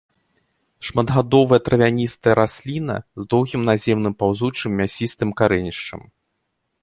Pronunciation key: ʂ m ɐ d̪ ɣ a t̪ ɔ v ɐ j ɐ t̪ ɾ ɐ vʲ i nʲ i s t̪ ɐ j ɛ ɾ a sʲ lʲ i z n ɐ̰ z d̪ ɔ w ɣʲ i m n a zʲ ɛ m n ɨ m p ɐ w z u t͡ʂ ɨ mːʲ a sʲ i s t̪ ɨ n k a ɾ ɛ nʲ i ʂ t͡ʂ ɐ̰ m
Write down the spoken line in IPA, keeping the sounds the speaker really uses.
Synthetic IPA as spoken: ʂ m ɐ d̪ ɣ a d̪ ɔ v ɐ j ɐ t̪ ɾ ɐ vʲ a nʲ i s t̪ ɐ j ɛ ɾ a sʲ lʲ i n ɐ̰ z d̪ ɔ w ɣʲ i m n a zʲ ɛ m n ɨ m p a w z u t͡ʂ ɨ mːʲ a sʲ i s t̪ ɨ m k a ɾ ɛ nʲ i ʂ t͡ʂ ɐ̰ m